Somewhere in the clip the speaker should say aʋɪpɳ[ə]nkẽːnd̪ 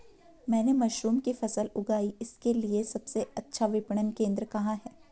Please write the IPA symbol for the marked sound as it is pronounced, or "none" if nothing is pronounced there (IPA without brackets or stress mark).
ə